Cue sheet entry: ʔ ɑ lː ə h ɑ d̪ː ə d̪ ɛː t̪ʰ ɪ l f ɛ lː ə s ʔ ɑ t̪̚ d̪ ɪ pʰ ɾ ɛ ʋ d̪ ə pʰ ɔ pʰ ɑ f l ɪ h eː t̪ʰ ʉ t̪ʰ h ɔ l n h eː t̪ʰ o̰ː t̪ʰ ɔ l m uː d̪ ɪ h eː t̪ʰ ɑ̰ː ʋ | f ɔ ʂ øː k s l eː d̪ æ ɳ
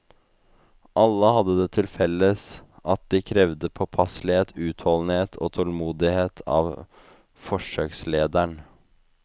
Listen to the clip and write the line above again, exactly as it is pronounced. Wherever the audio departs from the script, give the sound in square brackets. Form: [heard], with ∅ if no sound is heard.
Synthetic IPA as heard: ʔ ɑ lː ə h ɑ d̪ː ə d̪ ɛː t̪ʰ ɪ l f ɛ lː ə s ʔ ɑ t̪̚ d̪ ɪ [kʰ] ɾ ɛ ʋ d̪ ə pʰ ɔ pʰ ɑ [s] l ɪ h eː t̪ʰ [ʉː] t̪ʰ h ɔ l n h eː t̪ʰ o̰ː t̪ʰ ɔ l m uː d̪ ɪ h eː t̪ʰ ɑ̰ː ʋ | f ɔ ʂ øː k s l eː d̪ æ ɳ